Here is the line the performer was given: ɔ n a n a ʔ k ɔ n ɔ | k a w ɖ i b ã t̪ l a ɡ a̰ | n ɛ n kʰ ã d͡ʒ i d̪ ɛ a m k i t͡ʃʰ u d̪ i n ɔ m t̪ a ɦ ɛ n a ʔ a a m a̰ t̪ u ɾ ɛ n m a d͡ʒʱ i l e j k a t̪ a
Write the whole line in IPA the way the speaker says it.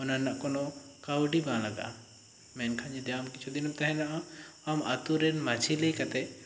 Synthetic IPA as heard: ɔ n a n a ʔ k ɔ n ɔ | k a w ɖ i b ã l a ɡ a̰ | m ɛ n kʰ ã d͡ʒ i d̪ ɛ a m k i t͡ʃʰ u d̪ i n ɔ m t̪ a ɦ ɛ n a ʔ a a m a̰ t̪ u ɾ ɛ n m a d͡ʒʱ i l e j k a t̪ ɛ